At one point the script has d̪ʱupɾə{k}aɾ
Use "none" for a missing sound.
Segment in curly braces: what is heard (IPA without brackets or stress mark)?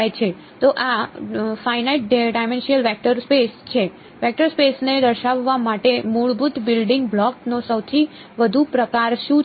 k